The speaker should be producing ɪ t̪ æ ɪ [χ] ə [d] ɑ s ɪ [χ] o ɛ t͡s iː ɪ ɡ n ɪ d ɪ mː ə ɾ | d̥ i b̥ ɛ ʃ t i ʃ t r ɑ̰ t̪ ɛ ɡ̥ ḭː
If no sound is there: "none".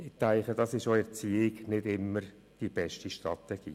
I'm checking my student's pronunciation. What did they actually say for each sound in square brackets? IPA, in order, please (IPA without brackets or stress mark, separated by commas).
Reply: χ, d, ʃ